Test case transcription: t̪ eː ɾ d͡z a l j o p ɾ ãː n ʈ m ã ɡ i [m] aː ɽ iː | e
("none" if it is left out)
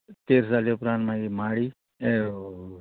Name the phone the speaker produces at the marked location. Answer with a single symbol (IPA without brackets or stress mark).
m